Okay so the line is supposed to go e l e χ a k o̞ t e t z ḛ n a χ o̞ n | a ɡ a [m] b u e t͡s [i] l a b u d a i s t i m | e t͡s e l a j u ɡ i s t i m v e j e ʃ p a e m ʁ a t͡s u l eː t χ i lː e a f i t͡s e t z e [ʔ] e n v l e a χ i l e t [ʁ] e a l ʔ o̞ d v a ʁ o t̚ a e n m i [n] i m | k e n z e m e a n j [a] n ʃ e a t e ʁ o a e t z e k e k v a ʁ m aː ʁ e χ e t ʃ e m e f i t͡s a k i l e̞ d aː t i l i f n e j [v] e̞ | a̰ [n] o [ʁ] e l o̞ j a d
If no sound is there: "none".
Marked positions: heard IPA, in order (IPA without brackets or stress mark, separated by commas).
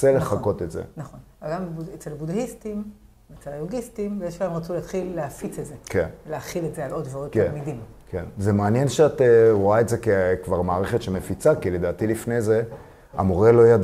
m, e, k, z, d, e, z, m, ʁ